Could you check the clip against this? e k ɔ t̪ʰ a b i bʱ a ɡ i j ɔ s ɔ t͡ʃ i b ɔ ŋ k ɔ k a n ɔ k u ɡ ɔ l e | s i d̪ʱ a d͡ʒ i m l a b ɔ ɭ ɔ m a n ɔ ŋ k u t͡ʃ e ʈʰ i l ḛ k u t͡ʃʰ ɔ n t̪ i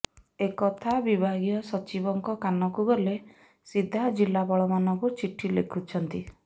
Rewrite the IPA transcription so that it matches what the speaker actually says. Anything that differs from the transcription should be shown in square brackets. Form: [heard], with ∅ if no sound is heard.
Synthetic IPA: e k ɔ t̪ʰ a b i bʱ a ɡ i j ɔ s ɔ t͡ʃ i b ɔ ŋ k ɔ k a n ɔ k u ɡ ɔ l e | s i d̪ʱ a d͡ʒ i [∅] l a b ɔ ɭ ɔ m a n ɔ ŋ k u t͡ʃ [i] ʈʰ i l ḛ [kʰ] u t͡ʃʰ ɔ n t̪ i